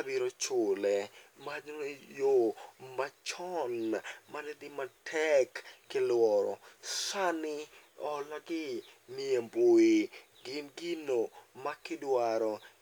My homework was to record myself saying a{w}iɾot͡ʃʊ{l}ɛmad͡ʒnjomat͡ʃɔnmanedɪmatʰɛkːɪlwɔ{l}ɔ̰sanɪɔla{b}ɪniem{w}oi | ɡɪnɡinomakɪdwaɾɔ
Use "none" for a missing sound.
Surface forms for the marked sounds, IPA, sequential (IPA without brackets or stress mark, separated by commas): b, l, ɾ, ɡ, b